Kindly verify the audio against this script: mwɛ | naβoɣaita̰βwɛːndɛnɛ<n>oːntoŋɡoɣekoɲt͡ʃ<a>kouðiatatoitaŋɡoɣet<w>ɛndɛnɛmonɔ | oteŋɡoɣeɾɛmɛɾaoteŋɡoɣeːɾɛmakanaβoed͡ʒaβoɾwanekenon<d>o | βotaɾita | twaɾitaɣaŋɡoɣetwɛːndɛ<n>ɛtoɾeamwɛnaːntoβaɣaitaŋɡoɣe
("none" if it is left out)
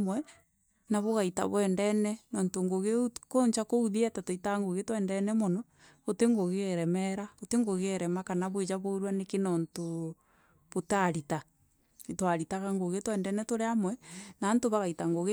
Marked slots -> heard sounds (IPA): n, a, w, t, n

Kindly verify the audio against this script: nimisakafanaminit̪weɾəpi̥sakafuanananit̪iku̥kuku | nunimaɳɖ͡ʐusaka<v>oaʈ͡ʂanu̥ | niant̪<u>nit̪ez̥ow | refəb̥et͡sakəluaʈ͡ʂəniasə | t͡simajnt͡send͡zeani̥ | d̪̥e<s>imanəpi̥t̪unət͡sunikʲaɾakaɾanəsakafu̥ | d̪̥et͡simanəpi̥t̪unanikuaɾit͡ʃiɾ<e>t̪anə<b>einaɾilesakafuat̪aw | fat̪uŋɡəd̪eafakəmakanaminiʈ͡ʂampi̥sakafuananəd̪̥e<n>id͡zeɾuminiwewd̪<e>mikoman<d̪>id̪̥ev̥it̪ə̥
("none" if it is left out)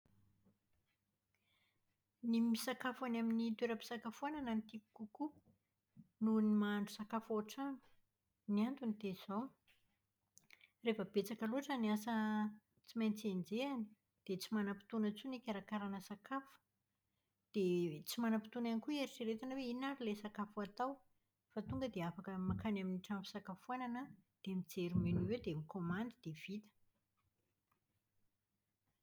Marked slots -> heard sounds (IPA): f, u, t͡s, e, w, m, e, d̪

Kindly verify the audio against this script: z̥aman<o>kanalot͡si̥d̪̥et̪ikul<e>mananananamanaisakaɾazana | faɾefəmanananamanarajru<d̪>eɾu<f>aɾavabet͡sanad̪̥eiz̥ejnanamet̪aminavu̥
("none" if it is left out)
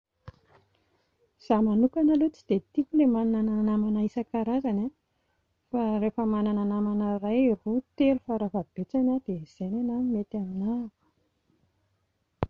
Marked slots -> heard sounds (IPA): u, e, t̪, f

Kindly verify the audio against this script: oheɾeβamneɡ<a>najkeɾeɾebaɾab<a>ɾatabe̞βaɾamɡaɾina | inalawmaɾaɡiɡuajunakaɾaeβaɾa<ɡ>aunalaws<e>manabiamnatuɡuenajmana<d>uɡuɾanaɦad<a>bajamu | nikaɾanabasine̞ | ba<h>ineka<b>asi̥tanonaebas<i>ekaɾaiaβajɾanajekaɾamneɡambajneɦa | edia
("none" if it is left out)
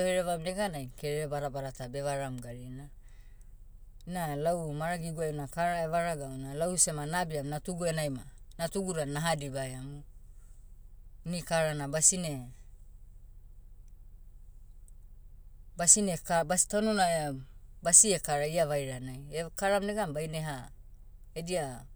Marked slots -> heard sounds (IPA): a, a, ɡ, e, t, i, s, b, i

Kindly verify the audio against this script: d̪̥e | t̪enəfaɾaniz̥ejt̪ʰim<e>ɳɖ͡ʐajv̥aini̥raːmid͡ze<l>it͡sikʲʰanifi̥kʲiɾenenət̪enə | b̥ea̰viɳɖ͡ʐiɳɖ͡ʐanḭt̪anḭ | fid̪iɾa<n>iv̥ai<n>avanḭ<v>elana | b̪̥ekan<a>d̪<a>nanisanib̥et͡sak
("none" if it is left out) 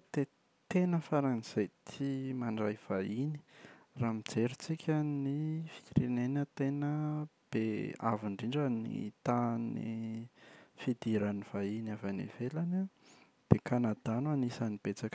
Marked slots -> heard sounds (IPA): a, ɾ, n, n, v, a, a

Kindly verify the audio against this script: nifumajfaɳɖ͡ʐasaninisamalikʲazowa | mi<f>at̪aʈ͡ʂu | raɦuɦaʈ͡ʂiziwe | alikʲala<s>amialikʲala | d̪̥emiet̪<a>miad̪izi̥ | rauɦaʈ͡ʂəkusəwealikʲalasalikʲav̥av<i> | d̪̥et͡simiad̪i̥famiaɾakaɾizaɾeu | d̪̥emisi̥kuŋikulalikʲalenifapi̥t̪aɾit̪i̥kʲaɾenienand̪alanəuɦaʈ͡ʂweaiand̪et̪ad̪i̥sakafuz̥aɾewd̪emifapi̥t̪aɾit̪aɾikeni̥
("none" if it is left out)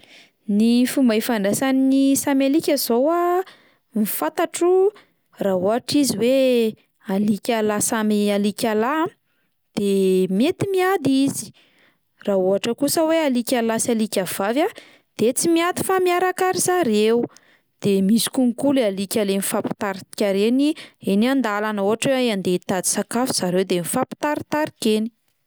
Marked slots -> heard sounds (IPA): f, s, i, a

